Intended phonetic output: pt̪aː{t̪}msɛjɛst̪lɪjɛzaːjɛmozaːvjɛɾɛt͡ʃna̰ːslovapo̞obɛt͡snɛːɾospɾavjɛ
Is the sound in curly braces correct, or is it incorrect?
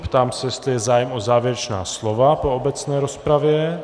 incorrect